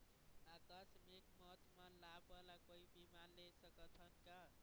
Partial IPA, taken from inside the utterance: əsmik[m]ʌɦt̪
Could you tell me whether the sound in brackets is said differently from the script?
no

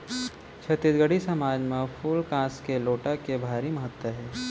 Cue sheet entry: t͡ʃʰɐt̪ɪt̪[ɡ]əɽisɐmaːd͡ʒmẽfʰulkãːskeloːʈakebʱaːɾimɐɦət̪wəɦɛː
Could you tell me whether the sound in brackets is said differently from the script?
no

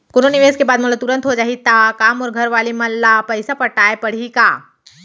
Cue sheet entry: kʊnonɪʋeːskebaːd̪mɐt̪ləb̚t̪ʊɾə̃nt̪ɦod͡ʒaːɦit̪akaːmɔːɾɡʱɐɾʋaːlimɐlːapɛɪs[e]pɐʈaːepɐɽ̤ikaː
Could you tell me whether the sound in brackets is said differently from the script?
yes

